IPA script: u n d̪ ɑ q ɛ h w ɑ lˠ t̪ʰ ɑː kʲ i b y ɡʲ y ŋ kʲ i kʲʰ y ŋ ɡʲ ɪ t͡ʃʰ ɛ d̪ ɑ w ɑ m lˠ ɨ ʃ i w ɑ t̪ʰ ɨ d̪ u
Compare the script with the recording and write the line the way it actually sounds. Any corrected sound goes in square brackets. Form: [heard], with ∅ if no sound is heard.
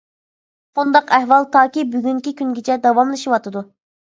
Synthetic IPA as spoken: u n d̪ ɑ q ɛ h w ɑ lˠ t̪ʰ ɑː kʲ i b y ɡʲ y ŋ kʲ i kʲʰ y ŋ ɡʲ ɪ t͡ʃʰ ɛ d̪ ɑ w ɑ m lˠ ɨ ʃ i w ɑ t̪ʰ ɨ d̪ u